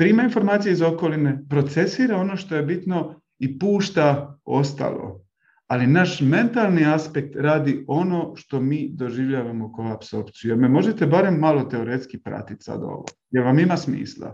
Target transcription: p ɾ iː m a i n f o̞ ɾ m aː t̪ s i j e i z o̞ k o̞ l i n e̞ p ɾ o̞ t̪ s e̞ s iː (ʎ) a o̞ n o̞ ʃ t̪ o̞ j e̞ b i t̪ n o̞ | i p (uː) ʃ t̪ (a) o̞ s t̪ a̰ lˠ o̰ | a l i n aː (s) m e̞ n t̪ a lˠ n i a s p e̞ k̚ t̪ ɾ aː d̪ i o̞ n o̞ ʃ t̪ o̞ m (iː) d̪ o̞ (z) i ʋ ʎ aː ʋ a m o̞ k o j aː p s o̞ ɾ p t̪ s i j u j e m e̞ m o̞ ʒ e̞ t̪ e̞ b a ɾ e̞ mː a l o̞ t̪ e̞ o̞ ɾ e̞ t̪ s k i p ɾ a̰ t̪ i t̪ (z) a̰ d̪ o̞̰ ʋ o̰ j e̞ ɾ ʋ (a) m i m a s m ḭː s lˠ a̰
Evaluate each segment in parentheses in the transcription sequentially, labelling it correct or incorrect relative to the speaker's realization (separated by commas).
incorrect, correct, correct, incorrect, correct, incorrect, incorrect, correct